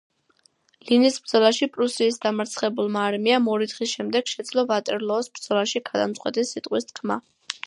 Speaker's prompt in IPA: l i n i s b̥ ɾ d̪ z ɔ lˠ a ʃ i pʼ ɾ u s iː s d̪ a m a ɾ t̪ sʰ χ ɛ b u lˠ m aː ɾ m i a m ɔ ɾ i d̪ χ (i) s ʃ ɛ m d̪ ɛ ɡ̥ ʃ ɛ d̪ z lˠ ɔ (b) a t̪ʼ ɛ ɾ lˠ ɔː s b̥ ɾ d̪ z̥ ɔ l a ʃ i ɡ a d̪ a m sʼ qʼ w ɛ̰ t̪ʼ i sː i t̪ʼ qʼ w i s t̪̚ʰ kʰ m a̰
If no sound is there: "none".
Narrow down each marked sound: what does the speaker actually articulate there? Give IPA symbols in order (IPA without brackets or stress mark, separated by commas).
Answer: i, v